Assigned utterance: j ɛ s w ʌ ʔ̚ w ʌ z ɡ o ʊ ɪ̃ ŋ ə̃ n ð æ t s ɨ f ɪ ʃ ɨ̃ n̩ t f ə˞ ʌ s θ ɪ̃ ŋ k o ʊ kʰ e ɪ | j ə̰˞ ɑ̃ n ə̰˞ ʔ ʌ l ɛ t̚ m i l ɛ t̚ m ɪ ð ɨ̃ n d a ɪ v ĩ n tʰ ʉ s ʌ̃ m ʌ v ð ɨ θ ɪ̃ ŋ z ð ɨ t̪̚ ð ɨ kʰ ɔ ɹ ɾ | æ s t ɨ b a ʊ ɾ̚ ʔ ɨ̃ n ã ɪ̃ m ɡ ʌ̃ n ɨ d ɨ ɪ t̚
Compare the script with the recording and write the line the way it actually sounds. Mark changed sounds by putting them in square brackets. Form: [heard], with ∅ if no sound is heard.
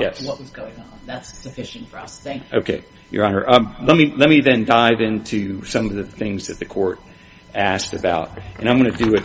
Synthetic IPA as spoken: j ɛ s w ʌ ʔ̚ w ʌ z ɡ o ʊ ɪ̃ ŋ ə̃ n ð æ t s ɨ f ɪ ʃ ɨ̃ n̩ t f ə˞ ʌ s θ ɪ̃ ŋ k o ʊ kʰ e ɪ | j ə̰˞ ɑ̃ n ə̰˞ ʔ ʌ l ɛ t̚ m i l ɛ t̚ m [i] ð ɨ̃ n d a ɪ v [ɪ̃] n tʰ ʉ s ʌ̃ m ʌ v ð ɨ θ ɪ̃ ŋ z ð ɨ t̪̚ ð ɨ kʰ ɔ ɹ ɾ | æ s t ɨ b a ʊ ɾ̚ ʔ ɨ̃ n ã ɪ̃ m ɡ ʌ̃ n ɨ d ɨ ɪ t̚